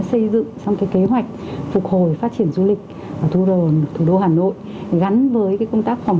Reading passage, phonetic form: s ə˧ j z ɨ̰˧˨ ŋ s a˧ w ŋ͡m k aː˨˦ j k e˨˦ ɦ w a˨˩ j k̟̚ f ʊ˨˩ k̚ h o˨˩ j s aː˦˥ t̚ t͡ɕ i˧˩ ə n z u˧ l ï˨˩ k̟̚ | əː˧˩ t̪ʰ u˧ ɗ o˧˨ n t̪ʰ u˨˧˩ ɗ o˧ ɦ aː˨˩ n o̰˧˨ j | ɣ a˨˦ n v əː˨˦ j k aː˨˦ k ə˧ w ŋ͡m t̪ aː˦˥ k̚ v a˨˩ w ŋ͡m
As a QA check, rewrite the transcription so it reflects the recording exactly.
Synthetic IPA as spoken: s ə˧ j z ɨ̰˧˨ ŋ s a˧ w ŋ͡m k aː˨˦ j k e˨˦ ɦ w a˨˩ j k̟̚ f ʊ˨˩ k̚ h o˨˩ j f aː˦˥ t̚ t͡ɕ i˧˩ ə n z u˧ l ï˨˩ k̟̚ | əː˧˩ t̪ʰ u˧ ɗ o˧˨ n t̪ʰ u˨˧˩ ɗ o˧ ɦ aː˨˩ n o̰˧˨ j | ɣ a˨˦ n v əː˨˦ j k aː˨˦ k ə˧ w ŋ͡m t̪ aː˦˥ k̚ f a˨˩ w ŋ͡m